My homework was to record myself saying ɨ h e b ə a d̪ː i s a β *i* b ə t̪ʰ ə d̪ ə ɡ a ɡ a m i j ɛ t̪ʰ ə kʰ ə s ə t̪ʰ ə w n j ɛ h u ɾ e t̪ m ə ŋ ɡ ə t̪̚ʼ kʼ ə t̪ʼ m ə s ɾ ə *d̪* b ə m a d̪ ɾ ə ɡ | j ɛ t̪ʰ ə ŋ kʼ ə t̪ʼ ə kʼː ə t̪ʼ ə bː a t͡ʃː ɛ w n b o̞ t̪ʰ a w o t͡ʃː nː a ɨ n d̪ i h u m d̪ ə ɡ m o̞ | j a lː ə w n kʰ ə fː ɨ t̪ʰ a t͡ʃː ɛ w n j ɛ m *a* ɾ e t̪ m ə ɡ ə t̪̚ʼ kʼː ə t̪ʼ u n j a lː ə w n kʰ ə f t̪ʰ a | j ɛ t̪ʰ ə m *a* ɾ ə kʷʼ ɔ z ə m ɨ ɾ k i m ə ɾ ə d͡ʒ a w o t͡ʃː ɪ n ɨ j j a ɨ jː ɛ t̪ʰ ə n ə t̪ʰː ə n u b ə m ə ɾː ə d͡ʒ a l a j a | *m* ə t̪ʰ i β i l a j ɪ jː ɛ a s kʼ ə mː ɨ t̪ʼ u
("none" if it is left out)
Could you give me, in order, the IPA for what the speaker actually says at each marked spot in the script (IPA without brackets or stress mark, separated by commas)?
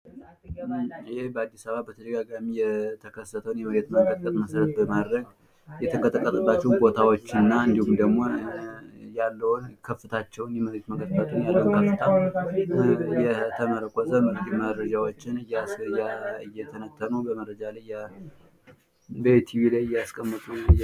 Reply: a, t̪, ə, ə, b